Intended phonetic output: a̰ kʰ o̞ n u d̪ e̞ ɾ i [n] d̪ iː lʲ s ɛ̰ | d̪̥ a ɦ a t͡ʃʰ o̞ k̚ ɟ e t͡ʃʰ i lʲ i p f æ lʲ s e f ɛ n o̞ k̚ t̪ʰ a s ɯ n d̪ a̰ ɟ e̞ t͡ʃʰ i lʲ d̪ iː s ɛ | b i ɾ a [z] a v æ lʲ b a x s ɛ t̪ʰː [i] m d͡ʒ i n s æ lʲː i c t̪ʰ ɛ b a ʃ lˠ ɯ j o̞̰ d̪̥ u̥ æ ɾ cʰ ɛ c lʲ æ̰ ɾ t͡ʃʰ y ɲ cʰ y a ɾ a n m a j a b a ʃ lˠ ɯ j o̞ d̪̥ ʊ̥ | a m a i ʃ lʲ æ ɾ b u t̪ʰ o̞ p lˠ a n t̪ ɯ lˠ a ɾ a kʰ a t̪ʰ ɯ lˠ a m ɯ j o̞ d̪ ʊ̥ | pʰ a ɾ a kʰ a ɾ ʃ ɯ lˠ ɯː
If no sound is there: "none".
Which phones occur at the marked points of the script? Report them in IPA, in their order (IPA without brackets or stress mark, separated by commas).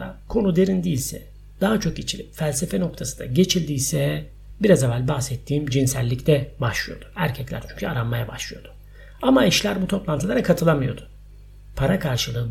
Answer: n, z, iː